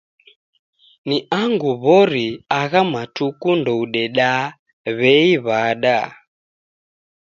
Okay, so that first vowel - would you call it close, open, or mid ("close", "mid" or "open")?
close